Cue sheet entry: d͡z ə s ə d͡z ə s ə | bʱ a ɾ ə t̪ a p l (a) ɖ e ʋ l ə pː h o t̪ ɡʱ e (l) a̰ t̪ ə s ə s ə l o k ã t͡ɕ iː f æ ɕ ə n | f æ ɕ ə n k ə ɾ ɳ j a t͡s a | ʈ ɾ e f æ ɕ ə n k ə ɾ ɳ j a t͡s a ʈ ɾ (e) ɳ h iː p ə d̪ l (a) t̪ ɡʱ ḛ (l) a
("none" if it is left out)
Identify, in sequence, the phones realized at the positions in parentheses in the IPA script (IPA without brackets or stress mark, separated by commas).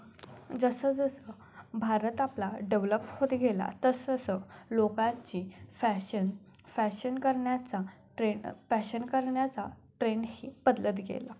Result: a, l, e, ə, l